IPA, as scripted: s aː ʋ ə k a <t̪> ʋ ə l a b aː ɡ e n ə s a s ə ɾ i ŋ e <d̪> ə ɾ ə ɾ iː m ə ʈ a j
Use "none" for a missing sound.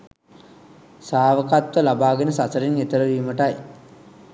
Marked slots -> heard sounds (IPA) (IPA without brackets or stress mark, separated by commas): t̪, t̪